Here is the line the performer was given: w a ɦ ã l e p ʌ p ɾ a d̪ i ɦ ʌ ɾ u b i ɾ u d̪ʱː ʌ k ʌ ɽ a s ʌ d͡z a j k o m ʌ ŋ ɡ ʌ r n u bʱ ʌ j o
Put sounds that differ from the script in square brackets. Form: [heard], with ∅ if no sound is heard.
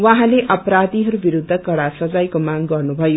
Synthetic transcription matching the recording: w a ɦ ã l e [ʔ] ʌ p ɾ a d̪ i ɦ ʌ ɾ u b i ɾ u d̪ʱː ʌ k ʌ ɽ a s ʌ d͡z a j k o m [a] ŋ ɡ ʌ r n u bʱ ʌ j o